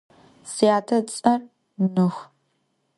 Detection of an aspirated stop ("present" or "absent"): present